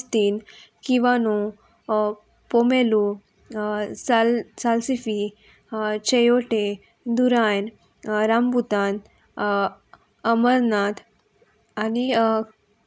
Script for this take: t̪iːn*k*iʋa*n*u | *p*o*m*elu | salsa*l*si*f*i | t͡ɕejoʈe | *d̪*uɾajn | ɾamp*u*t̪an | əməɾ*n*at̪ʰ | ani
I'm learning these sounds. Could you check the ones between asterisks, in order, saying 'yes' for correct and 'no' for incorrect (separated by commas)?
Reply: yes, yes, yes, yes, yes, yes, yes, yes, yes